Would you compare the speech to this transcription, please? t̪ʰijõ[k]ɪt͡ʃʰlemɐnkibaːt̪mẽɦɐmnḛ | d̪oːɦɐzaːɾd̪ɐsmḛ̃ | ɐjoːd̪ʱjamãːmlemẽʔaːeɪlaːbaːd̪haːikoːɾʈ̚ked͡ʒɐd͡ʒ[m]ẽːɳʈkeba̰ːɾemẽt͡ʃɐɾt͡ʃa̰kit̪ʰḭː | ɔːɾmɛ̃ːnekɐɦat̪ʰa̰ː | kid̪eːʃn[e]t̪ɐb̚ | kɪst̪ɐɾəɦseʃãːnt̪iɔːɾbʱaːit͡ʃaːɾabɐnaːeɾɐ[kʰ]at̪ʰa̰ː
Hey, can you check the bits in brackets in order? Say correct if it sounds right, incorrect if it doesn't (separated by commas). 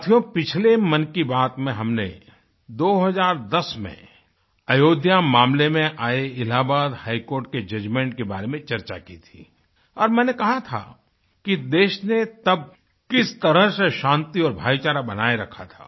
incorrect, correct, correct, correct